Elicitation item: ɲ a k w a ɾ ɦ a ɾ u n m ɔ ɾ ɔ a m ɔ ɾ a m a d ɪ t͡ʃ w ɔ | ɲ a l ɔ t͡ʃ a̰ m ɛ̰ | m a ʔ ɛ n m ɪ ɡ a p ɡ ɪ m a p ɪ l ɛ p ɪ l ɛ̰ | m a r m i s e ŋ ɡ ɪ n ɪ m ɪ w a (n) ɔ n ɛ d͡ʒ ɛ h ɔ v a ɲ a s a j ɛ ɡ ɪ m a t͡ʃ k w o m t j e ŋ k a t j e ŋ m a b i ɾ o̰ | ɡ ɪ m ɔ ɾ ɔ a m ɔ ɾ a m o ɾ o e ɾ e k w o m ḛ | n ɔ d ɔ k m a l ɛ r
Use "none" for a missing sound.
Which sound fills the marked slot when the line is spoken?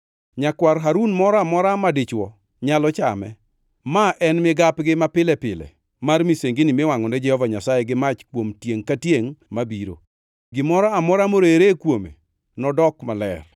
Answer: ŋ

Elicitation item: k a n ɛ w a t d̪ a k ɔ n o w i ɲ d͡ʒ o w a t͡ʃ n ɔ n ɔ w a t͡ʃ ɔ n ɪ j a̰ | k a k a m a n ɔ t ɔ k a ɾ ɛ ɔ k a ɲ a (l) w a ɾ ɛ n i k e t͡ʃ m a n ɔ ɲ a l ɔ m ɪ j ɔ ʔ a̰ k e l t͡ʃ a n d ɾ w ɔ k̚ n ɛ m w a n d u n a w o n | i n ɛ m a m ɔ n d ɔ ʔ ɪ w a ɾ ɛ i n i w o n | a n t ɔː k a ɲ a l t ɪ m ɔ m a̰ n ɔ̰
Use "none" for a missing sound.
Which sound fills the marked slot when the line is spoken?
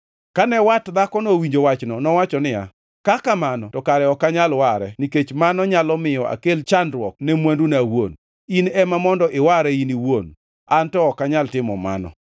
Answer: l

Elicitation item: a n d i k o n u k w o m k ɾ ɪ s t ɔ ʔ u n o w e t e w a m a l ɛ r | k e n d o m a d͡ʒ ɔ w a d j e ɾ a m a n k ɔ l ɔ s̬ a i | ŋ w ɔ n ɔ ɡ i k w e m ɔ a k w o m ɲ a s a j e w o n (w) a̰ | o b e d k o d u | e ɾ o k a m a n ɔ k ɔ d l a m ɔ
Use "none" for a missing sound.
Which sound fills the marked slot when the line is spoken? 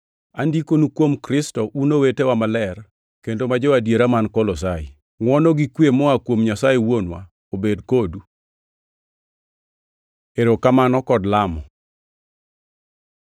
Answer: w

